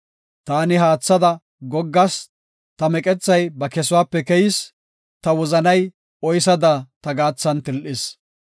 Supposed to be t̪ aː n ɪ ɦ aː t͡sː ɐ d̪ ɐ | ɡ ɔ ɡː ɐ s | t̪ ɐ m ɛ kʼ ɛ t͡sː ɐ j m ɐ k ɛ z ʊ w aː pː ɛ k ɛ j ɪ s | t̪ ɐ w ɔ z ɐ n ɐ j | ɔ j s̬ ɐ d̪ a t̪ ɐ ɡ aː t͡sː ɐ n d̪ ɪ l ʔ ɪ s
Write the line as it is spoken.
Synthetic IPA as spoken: t̪ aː n ɪ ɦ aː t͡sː ɐ d̪ ɐ | ɡ ɔ ɡː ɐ s | t̪ ɐ m ɛ kʼ ɛ t͡sː ɐ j b ɐ k ɛ s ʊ w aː pː ɛ k ɛ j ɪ s | t̪ ɐ w ɔ z ɐ n ɐ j | ɔ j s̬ ɐ d̪ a t̪ ɐ ɡ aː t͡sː ɐ n t̪ ɪ l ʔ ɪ s